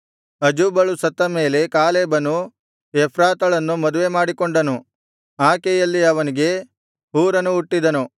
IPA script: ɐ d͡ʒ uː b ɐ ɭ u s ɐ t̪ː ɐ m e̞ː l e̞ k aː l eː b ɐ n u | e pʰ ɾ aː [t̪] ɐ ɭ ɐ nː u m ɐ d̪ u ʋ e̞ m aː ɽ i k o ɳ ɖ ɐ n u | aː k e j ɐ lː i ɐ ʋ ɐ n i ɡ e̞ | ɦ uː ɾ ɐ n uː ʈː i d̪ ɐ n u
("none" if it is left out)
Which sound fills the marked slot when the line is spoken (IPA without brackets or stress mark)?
t̪